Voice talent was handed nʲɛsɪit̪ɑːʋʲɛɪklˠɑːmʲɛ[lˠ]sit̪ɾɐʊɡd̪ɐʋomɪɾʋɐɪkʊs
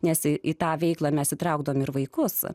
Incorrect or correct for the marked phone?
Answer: incorrect: none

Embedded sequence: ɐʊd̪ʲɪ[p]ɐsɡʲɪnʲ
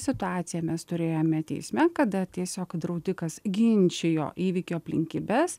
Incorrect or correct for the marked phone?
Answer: incorrect: k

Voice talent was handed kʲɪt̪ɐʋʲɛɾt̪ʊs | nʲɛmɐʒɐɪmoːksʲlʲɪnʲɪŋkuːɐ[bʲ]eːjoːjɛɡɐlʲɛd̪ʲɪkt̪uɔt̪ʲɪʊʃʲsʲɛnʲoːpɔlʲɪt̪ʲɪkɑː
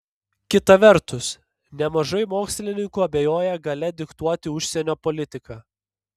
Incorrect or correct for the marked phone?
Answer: correct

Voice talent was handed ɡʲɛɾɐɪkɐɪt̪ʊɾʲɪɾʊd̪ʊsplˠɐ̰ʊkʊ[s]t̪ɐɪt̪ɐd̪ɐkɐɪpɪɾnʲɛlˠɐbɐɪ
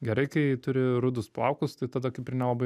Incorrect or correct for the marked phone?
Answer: correct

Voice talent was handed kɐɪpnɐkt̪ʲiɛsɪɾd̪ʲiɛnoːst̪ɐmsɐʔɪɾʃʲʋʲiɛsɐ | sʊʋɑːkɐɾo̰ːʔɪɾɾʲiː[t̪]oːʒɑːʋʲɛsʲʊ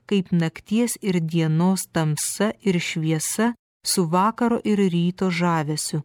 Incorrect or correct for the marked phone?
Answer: correct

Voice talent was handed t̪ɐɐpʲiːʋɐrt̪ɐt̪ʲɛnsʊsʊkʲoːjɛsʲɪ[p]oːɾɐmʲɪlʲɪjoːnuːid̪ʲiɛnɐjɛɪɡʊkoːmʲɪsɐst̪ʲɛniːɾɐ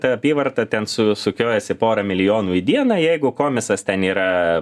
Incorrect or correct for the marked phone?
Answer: correct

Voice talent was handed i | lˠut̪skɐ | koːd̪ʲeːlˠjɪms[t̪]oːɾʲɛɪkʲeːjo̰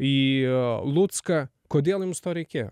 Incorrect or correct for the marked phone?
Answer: correct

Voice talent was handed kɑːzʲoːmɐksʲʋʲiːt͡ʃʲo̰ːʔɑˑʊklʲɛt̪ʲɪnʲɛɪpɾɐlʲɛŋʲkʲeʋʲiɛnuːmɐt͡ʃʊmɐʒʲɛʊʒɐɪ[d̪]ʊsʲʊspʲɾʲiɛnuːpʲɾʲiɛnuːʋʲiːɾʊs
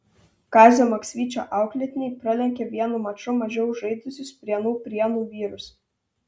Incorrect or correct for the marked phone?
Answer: correct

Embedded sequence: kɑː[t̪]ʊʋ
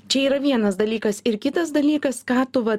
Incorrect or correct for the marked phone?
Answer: correct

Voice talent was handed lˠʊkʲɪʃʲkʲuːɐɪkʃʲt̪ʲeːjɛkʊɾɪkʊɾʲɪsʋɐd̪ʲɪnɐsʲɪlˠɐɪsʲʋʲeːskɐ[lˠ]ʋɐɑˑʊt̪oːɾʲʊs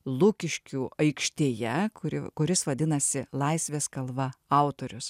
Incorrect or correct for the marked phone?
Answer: correct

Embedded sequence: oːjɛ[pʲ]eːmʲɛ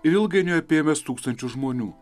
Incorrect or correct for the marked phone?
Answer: correct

